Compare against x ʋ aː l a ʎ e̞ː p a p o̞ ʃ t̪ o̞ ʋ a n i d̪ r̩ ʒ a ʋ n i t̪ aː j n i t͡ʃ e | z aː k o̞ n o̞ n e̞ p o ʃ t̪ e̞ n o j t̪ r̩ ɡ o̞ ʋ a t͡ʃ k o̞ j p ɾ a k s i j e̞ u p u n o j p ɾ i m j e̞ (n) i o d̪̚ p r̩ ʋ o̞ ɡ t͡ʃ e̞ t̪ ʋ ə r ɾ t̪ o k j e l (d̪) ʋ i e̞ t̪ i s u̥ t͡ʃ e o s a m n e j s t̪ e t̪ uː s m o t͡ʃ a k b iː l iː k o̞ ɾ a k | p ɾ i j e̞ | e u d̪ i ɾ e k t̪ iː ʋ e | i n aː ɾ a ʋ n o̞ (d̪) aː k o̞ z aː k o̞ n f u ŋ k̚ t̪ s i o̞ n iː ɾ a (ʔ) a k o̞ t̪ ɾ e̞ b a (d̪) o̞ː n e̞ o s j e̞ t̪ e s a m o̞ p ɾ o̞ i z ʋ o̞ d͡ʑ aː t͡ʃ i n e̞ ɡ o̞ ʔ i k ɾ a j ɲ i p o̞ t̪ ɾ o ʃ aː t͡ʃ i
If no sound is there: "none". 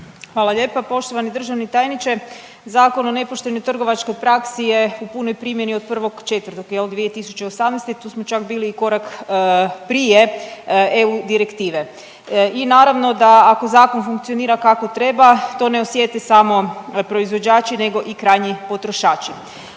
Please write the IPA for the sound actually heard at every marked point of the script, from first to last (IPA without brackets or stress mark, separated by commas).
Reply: n, d̪, d̪, k, t̪